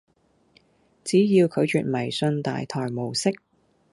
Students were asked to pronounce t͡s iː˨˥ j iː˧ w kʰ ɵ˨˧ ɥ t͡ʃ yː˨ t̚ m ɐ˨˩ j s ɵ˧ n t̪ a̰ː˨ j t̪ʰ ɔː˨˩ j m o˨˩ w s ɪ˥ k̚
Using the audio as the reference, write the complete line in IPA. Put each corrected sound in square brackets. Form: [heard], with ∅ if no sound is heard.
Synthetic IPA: t͡s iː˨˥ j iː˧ w kʰ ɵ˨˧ ɥ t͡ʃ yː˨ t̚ m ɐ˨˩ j s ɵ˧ n t̪ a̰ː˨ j t̪ʰ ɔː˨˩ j m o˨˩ w s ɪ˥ k̚